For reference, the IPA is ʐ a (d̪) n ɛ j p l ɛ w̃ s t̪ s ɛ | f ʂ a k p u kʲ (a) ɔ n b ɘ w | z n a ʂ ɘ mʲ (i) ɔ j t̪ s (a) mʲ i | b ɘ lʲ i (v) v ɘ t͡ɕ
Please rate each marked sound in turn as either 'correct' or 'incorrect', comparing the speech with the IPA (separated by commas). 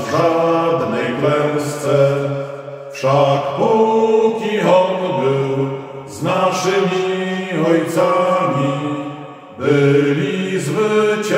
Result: correct, incorrect, correct, correct, incorrect